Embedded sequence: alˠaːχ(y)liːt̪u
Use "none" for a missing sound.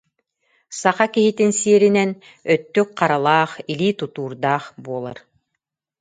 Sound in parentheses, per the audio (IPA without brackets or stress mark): i